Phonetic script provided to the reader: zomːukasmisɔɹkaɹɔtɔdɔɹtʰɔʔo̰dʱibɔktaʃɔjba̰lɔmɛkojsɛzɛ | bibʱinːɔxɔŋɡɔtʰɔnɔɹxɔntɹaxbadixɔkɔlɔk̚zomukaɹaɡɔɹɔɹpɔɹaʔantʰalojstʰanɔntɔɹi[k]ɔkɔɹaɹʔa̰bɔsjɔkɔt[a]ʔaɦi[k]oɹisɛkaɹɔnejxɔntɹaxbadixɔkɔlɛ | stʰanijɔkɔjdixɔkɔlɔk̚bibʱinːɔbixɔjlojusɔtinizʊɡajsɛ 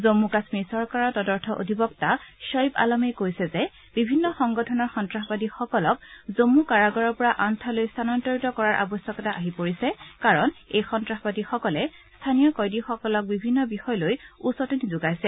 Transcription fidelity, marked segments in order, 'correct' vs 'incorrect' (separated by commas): incorrect, correct, incorrect